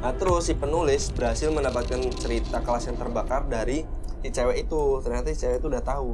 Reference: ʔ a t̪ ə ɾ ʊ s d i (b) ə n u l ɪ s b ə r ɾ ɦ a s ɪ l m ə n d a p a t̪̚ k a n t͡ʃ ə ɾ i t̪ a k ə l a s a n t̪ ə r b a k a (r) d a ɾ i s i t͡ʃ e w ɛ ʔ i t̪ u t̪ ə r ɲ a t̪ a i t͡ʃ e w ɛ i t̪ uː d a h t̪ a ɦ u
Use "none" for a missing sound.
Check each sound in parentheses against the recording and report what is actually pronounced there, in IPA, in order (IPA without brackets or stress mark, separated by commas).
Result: p, r